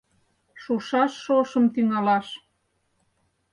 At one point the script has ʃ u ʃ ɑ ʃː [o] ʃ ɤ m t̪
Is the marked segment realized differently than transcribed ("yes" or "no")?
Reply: no